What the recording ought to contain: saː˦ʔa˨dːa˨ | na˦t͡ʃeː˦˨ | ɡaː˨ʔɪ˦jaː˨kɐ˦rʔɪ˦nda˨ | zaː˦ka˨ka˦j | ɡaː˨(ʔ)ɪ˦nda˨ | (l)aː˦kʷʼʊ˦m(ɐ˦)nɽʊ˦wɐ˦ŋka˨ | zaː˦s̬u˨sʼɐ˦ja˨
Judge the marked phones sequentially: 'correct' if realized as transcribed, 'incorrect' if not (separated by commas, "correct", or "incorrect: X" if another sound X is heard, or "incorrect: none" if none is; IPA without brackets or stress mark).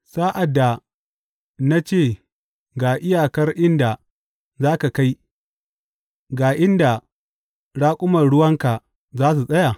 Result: correct, incorrect: ɽ, incorrect: ɐ˨